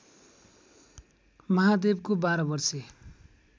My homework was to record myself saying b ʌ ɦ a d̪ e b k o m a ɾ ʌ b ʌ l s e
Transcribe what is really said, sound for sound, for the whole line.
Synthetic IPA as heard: m ʌ ɦ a d̪ e b k o b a ɾ ʌ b ʌ r s e

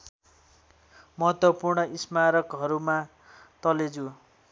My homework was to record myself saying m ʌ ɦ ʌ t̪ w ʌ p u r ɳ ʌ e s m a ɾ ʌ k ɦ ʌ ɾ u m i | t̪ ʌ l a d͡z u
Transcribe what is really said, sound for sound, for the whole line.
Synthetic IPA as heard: m ʌ ɦ ʌ t̪ w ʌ p u r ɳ ʌ i s m a ɾ ʌ k ɦ ʌ ɾ u m a | t̪ ʌ l e d͡z u

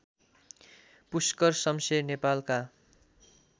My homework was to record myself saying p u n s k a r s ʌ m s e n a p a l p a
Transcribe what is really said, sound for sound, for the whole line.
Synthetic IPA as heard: p u s k ʌ r s ʌ m s e n e p a l k a

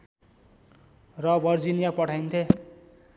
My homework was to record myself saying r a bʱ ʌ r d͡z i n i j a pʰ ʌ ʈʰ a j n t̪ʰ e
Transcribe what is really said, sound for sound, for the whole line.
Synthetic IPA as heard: r ʌ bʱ ʌ r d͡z i n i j a p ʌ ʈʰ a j n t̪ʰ e

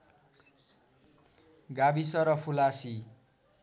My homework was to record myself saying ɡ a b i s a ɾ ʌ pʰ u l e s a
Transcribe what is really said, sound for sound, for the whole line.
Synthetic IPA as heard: ɡ a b i s ʌ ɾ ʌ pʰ u l a s i

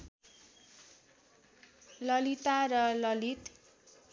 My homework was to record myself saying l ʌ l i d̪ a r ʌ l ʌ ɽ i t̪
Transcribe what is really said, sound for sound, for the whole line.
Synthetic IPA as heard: l ʌ l i t̪ a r ʌ l ʌ l i t̪

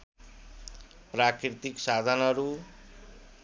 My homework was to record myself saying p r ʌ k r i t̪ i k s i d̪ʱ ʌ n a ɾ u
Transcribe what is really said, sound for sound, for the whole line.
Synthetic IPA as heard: p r a k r i t̪ i k s a d̪ʱ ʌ n ʌ ɾ u

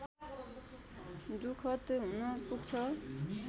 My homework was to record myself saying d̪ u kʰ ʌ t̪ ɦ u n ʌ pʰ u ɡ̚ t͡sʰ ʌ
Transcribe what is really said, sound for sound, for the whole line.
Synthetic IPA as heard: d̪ u kʰ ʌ t̪ ɦ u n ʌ p u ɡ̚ t͡sʰ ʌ

